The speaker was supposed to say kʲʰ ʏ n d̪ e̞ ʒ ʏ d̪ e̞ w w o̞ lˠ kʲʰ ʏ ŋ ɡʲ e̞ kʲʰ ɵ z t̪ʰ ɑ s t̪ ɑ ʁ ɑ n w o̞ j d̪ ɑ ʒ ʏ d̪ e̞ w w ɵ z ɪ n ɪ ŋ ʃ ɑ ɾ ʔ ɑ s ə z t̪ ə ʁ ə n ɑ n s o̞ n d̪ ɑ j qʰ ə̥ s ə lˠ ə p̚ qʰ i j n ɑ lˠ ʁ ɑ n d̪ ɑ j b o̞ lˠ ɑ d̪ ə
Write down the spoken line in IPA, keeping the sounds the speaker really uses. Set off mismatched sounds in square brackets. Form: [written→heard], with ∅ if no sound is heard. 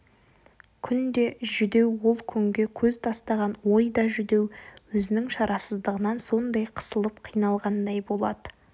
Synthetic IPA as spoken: kʲʰ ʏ n d̪ e̞ ʒ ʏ d̪ e̞ w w o̞ lˠ kʲʰ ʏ ŋ ɡʲ e̞ kʲʰ ɵ z t̪ʰ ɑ s t̪ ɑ ʁ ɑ n w o̞ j d̪ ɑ ʒ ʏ d̪ e̞ w w ɵ z ɪ n ɪ ŋ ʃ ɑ ɾ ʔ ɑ s ə z [t̪→d̪] ə ʁ ə n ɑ n s o̞ n d̪ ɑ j qʰ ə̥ s ə lˠ ə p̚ qʰ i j n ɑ lˠ ʁ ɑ n d̪ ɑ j b o̞ lˠ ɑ d̪ ə